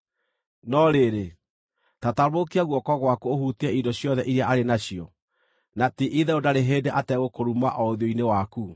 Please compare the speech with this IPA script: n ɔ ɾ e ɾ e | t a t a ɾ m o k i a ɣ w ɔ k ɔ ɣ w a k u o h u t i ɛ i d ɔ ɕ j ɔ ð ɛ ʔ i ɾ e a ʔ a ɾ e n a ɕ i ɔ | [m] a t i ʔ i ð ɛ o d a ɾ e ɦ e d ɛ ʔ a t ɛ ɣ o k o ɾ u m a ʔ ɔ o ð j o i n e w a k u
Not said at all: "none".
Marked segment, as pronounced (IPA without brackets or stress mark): n